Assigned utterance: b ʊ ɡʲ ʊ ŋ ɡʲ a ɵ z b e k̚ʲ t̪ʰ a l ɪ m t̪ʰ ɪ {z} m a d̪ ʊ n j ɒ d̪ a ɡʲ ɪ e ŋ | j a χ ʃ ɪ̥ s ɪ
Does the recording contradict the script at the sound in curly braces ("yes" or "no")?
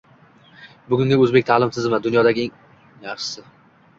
no